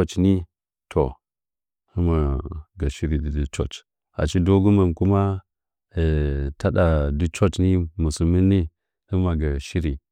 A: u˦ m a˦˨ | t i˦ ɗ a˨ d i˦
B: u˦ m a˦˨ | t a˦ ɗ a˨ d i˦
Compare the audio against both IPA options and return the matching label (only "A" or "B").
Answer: B